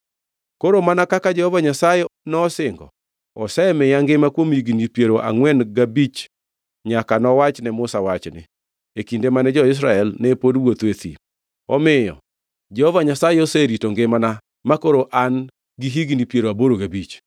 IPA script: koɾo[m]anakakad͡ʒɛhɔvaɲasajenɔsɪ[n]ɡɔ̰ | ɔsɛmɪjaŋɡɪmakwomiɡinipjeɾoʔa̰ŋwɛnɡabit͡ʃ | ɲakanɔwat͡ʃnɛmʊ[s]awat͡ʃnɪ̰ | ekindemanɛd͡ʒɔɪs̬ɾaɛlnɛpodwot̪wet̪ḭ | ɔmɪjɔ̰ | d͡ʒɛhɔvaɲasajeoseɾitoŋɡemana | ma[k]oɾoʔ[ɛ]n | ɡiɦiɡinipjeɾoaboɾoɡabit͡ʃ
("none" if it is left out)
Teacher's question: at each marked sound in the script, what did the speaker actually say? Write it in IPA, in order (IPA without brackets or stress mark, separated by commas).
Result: m, ŋ, s, k, a